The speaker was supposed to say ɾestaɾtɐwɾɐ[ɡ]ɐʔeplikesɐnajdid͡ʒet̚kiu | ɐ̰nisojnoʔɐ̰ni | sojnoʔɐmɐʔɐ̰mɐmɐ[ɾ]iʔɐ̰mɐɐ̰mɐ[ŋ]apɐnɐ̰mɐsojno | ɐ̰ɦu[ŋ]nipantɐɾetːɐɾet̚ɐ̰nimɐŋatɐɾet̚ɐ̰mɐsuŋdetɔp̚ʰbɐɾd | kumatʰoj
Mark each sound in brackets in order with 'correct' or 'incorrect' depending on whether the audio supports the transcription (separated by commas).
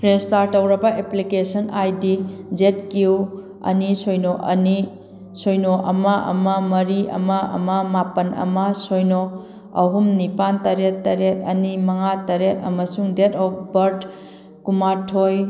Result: incorrect, correct, incorrect, incorrect